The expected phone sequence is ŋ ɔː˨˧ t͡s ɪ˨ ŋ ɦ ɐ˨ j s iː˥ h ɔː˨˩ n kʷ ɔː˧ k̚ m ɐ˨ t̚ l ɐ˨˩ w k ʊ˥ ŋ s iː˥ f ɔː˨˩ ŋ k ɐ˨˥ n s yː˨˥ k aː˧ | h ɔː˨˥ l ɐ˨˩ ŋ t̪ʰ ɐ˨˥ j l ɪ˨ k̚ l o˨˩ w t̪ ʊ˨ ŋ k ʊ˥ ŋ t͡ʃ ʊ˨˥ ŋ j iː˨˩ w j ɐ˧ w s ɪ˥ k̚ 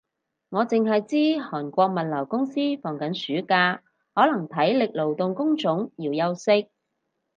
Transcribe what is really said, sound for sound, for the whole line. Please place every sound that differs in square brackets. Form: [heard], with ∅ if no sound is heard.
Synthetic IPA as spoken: ŋ ɔː˨˧ t͡s ɪ˨ ŋ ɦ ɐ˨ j [t͡s] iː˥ h ɔː˨˩ n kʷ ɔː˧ k̚ m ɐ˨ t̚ l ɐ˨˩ w k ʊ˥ ŋ s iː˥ f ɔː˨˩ ŋ k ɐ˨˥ n s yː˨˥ k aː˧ | h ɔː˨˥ l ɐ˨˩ ŋ t̪ʰ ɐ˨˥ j l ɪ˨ k̚ l o˨˩ w t̪ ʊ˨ ŋ k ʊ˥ ŋ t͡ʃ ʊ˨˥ ŋ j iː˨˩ w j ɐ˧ w s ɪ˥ k̚